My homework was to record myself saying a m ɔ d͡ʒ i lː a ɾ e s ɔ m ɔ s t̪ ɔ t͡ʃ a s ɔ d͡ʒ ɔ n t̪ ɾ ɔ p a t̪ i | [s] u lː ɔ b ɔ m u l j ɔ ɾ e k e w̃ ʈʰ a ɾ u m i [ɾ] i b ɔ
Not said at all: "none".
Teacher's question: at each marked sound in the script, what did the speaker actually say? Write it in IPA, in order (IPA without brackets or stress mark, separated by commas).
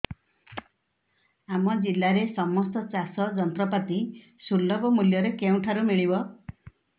s, ɭ